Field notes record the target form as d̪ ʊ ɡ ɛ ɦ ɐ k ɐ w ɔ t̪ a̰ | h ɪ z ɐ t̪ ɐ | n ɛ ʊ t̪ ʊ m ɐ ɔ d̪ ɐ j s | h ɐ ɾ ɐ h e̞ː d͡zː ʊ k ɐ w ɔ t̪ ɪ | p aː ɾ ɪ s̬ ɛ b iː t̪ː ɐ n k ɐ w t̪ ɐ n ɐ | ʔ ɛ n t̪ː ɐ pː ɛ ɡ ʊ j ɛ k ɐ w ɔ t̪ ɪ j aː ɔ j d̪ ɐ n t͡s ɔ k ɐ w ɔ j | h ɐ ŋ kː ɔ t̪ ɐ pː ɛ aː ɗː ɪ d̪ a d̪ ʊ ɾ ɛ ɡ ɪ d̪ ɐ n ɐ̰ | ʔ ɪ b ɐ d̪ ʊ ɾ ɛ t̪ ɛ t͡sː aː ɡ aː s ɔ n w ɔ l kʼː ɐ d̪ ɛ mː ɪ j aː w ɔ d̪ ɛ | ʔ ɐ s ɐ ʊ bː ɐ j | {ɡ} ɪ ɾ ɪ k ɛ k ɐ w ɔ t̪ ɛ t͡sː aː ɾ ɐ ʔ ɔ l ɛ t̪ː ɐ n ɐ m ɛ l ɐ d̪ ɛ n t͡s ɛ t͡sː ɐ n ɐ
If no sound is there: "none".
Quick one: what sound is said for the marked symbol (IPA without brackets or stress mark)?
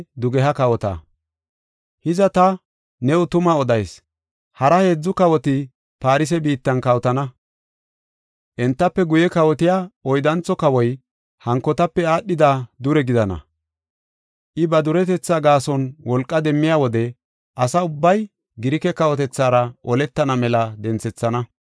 ɡ